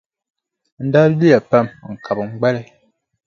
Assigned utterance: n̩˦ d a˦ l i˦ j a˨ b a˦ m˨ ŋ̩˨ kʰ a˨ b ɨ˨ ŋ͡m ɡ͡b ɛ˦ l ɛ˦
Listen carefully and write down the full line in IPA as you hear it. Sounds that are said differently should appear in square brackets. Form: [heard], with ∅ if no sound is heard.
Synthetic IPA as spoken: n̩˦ d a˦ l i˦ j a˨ [p] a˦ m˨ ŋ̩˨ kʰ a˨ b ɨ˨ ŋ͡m ɡ͡b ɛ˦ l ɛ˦